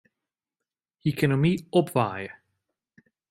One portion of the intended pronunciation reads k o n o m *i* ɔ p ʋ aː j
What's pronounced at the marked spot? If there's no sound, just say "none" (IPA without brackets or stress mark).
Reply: i